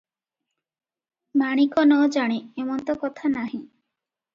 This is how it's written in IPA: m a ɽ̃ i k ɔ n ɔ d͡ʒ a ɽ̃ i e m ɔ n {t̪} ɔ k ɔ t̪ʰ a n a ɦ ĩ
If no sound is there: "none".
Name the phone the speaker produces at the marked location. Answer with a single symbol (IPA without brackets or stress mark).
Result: t̪